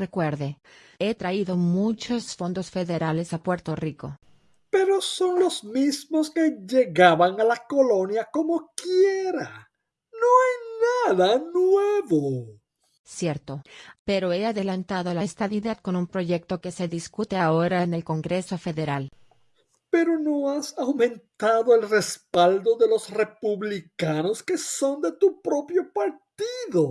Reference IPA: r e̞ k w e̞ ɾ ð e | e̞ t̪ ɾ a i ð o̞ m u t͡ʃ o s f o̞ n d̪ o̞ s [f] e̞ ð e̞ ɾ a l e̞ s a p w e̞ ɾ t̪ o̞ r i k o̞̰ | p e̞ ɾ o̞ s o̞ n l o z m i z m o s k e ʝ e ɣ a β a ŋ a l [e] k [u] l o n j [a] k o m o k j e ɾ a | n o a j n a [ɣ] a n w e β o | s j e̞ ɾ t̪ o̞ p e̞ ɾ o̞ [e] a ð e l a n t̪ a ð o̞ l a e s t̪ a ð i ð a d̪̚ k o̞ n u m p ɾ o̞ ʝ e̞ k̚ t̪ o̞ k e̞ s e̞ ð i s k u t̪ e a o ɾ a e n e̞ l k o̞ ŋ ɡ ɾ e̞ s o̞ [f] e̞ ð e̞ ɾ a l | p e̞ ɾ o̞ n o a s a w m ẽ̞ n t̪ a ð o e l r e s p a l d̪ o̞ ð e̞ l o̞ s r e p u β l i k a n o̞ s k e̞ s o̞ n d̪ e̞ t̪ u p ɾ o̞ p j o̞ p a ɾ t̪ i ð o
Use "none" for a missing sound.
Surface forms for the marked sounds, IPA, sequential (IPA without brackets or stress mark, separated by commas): f, a, o, a, ð, e, f